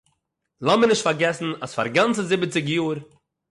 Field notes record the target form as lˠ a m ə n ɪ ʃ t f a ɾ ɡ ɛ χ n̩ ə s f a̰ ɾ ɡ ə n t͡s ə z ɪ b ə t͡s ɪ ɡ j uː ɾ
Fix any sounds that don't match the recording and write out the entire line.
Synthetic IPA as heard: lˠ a m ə n ɪ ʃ t f a ɾ ɡ ɛ s n̩ a s f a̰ ɾ ɡ a n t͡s ə z ɪ b ə t͡s ɪ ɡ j uː ɾ